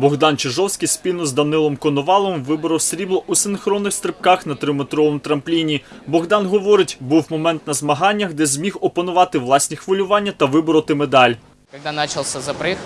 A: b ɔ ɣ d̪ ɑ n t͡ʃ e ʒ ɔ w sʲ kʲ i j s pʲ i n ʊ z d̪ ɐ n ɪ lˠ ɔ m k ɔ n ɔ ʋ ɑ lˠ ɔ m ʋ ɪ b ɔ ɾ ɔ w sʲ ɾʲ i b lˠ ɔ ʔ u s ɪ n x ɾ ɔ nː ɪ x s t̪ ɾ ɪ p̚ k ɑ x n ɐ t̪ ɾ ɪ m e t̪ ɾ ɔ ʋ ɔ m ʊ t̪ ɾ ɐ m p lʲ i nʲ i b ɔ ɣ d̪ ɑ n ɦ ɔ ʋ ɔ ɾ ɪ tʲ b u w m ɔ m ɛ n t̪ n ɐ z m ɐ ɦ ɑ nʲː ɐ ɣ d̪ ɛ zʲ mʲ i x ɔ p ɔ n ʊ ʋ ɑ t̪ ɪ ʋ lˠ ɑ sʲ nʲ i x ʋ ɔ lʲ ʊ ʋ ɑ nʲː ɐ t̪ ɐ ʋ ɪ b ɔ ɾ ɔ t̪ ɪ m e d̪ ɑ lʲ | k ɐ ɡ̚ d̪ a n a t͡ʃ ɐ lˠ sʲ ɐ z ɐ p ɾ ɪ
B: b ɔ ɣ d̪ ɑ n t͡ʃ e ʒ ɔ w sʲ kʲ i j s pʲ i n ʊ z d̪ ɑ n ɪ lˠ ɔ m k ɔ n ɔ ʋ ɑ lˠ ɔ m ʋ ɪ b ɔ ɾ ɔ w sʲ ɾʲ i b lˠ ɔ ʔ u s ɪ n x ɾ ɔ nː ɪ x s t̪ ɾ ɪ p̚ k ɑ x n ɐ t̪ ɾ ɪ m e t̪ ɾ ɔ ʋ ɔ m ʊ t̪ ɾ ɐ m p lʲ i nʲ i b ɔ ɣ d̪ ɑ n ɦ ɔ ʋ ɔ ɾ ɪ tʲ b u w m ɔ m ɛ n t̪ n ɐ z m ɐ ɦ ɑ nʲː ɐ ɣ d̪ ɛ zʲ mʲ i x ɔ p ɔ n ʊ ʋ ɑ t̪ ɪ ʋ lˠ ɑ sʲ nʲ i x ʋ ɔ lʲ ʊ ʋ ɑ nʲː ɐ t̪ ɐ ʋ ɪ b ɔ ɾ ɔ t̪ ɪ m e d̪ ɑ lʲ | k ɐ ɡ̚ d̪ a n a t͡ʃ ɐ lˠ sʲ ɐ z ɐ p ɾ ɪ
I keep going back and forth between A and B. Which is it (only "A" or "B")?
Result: A